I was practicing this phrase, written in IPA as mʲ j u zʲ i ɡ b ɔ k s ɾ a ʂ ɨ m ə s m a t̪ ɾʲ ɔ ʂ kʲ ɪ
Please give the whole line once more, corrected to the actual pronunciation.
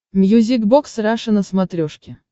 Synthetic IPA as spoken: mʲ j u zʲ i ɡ b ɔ k s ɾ a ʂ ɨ n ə s m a t̪ ɾʲ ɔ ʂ kʲ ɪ